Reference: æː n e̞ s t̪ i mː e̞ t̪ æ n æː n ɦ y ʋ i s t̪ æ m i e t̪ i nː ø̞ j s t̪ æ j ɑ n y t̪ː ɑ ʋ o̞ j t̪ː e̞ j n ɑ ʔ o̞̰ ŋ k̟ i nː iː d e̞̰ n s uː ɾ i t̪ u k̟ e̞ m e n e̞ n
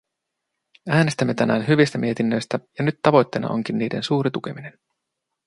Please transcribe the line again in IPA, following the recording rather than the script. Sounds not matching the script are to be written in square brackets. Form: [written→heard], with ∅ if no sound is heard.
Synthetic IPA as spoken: æː n e̞ s t̪ [i→æ] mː e̞ t̪ æ n æː n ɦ y ʋ i s t̪ æ m i e t̪ i nː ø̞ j s t̪ æ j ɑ n y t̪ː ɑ ʋ o̞ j t̪ː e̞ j n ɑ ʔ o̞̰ ŋ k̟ i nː iː d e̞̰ n s uː ɾ i t̪ u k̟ e̞ m [e→i] n e̞ n